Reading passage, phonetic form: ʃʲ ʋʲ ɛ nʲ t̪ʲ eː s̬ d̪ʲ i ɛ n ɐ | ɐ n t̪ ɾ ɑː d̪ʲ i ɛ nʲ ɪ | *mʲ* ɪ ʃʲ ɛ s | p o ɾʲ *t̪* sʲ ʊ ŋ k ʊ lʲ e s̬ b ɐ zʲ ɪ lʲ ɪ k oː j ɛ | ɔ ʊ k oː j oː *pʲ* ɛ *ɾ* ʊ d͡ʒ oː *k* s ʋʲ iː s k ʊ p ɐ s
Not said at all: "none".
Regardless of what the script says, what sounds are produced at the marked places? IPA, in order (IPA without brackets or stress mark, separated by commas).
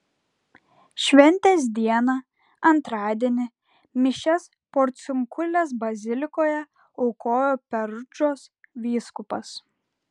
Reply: mʲ, t̪, pʲ, ɾ, none